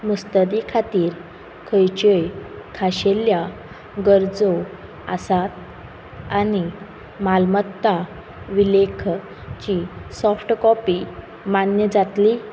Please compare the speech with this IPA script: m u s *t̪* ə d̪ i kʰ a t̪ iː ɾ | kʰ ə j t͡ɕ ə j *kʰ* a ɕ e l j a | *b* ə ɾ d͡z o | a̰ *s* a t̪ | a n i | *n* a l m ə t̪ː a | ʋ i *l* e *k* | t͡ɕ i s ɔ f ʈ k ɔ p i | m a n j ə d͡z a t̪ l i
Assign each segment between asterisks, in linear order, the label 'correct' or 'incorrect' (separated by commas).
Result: correct, correct, incorrect, correct, incorrect, correct, incorrect